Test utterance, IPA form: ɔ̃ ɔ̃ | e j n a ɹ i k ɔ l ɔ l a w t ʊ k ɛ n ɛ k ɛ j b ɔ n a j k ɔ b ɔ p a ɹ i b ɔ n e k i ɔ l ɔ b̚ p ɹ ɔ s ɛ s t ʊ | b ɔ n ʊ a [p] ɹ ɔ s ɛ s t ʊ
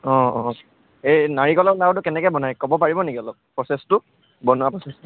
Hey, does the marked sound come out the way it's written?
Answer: yes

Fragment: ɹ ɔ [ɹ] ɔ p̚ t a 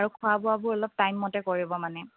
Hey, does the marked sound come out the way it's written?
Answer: no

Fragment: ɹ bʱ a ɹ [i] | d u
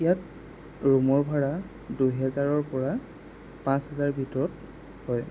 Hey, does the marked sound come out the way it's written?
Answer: no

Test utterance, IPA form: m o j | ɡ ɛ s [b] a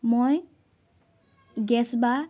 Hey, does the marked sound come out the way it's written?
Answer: yes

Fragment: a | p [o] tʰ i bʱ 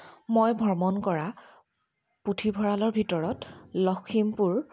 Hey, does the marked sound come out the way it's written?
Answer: no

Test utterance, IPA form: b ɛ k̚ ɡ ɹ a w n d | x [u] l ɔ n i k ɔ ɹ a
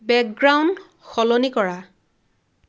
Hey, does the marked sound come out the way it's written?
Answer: no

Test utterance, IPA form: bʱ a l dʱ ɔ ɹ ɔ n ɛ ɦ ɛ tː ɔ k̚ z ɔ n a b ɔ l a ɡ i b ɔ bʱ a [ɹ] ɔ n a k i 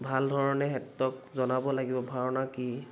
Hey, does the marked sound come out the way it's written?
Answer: yes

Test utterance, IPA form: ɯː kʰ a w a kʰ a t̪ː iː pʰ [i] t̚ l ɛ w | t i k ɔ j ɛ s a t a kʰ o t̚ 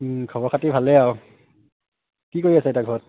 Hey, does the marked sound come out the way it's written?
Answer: no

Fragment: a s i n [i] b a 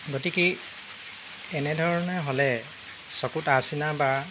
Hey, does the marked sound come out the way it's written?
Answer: no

